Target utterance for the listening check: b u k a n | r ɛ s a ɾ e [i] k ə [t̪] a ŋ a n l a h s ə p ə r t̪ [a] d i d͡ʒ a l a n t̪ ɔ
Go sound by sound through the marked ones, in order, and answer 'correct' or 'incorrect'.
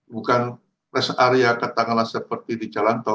incorrect, correct, incorrect

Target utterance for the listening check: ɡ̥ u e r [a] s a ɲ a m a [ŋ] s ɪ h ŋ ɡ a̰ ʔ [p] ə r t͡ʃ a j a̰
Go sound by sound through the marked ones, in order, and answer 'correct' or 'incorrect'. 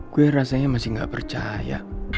correct, incorrect, correct

